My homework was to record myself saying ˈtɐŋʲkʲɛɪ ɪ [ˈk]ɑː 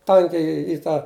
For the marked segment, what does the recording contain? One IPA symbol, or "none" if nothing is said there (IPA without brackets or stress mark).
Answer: t